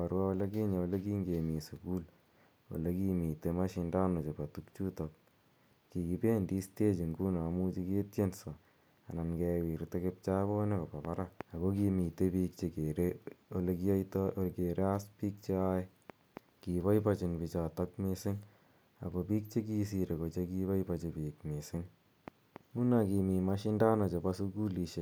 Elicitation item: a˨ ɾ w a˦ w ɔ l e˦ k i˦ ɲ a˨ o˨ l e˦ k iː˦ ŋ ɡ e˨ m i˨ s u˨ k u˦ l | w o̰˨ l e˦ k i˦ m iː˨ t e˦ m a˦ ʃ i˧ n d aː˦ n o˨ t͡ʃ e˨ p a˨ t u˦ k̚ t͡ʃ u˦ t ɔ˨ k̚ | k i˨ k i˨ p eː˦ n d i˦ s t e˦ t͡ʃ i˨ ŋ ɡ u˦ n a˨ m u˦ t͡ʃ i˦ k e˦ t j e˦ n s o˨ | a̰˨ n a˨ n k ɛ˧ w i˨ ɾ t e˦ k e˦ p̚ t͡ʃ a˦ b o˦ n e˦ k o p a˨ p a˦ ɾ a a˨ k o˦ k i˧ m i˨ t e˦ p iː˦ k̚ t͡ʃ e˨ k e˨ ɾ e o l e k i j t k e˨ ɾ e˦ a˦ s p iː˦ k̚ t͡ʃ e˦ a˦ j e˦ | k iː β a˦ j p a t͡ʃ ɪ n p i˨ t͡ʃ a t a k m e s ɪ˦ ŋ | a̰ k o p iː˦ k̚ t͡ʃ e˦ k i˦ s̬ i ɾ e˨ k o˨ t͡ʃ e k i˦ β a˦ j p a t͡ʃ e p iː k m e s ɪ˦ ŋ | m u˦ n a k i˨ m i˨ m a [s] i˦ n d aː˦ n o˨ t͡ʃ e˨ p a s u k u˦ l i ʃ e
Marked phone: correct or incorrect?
incorrect